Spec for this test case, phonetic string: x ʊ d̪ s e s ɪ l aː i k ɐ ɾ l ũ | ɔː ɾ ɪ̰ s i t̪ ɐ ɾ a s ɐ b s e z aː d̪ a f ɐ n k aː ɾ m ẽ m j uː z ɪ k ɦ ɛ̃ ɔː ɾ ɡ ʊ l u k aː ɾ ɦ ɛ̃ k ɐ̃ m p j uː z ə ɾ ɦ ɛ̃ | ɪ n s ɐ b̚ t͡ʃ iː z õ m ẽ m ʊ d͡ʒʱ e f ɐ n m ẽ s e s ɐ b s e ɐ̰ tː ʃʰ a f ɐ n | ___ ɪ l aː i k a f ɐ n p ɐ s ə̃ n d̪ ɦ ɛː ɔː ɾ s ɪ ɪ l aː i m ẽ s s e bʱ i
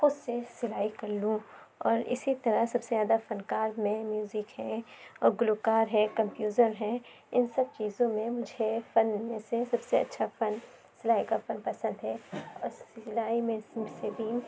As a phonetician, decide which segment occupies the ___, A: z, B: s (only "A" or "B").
B